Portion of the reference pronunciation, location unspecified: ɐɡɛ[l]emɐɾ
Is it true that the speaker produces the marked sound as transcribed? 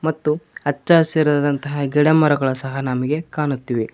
no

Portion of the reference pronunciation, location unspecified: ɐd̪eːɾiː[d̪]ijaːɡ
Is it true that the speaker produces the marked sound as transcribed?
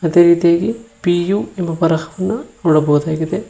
no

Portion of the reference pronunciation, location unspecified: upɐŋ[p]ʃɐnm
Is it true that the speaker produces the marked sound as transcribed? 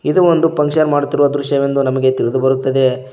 no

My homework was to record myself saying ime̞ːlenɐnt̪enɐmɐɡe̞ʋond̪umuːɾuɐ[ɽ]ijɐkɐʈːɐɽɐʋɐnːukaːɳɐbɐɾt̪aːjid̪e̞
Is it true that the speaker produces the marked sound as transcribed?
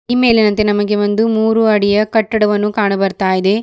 yes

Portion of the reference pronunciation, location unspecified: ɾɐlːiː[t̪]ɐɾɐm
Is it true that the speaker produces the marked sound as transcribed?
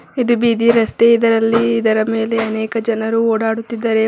no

